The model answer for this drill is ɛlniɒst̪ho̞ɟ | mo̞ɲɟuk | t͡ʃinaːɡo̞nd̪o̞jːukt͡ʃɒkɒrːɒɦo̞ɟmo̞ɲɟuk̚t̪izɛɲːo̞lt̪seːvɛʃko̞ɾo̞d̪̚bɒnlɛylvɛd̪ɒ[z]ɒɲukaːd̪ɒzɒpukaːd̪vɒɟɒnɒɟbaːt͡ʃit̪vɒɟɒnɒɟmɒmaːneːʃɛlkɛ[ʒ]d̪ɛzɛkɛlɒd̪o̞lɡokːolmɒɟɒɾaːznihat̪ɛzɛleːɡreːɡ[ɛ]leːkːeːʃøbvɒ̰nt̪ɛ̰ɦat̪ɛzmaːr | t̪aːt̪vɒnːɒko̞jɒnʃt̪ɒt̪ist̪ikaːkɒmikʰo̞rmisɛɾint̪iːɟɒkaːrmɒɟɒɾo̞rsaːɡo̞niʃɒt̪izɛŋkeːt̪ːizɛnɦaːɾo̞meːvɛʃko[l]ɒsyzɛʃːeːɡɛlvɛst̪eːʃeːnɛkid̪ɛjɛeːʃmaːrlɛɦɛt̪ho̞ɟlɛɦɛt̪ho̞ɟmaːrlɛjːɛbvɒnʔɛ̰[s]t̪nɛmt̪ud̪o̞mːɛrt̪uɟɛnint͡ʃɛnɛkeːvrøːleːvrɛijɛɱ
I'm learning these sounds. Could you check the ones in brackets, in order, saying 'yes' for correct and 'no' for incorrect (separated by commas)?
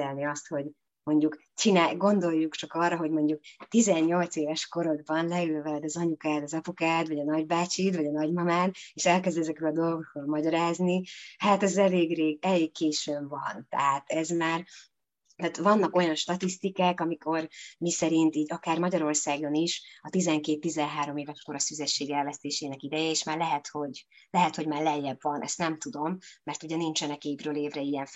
yes, no, yes, no, yes